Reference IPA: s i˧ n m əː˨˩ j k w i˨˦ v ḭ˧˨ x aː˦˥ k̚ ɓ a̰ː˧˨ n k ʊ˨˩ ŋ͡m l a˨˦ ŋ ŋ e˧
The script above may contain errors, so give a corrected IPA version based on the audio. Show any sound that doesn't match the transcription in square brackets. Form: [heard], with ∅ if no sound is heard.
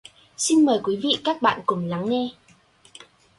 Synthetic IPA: s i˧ n m əː˨˩ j k w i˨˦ v ḭ˧˨ [k] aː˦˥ k̚ ɓ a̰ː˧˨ n k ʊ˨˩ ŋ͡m l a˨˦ ŋ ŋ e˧